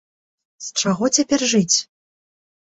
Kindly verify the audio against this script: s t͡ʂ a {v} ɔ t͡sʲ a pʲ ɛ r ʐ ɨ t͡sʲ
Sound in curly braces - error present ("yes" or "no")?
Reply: yes